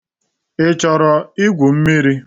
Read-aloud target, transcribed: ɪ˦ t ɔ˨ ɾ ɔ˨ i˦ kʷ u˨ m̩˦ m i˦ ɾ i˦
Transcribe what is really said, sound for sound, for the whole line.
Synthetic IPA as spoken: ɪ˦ t͡ʃ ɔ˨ ɾ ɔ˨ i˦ ɡʷ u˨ m̩˦ m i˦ ɾ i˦

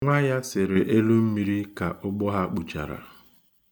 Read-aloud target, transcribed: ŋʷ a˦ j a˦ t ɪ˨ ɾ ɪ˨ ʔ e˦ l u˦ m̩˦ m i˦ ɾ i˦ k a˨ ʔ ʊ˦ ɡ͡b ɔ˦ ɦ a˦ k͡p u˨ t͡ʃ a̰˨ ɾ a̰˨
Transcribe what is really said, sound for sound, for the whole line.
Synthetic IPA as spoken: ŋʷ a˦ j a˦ s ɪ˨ ɾ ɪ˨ ʔ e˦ l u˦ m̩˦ m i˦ ɾ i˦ k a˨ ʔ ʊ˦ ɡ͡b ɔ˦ ɦ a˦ k͡p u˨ t͡ʃ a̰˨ ɾ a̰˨

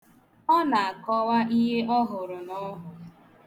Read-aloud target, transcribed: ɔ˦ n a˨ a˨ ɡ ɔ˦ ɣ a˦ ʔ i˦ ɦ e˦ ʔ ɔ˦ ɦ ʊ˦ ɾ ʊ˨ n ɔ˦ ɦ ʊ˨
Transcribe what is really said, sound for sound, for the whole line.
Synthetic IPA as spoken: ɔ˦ n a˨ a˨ k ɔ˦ w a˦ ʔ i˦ ɦ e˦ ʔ ɔ˦ ɦ ʊ˨ ɾ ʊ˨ n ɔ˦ ɦ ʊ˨

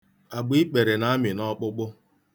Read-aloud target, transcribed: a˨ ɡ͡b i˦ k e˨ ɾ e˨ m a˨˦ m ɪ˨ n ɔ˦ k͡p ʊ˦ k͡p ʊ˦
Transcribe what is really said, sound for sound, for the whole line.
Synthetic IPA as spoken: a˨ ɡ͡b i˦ k͡p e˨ ɾ e˨ n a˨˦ m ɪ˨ n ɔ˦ k͡p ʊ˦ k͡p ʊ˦

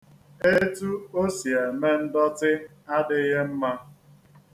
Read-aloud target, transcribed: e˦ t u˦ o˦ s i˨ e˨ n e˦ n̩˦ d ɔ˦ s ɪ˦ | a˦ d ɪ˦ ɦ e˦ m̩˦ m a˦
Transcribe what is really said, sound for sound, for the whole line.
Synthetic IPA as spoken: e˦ t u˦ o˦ s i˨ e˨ m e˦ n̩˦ d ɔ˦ t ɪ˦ | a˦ d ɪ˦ ɦ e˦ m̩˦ m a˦

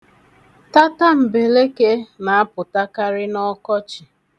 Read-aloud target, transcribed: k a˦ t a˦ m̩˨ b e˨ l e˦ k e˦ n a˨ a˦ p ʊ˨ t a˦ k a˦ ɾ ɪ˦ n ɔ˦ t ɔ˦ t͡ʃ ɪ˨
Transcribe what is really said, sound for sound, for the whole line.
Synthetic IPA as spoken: t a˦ t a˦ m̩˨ b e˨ l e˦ k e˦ n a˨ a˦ p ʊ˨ t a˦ k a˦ ɾ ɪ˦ n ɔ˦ k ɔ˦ t͡ʃ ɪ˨

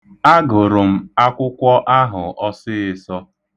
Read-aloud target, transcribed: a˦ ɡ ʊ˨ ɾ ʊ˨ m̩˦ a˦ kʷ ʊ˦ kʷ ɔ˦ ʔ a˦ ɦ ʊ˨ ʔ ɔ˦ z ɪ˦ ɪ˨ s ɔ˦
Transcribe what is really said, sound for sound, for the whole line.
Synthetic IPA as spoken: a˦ ɡ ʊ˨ ɾ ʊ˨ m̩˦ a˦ kʷ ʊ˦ kʷ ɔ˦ ʔ a˦ ɦ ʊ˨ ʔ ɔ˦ s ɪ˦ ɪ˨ s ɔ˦

